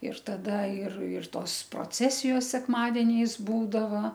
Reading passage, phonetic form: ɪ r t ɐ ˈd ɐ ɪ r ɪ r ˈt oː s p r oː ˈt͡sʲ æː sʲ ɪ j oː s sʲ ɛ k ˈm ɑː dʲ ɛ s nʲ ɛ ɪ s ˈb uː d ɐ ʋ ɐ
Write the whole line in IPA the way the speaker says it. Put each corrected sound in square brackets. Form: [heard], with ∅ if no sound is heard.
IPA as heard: ɪ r t ɐ ˈd ɐ ɪ r ɪ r ˈt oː s p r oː ˈt͡sʲ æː sʲ ɪ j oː s sʲ ɛ k ˈm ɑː dʲ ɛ [∅] nʲ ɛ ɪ s ˈb uː d ɐ ʋ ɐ